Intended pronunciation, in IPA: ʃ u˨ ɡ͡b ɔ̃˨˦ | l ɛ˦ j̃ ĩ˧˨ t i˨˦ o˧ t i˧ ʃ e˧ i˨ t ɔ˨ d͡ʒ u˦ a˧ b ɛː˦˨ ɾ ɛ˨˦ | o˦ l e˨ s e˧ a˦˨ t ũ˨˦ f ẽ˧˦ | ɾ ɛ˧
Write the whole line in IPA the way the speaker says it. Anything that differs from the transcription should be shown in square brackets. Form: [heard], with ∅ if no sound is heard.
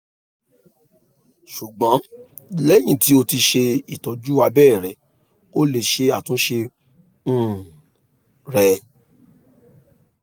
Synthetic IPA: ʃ u˨ ɡ͡b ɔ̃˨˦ | l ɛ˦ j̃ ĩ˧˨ t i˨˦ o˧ t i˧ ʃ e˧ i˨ t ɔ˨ d͡ʒ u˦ a˧ b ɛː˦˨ ɾ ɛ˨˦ | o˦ l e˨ [ʃ] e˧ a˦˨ t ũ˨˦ [ʃ] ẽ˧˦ | ɾ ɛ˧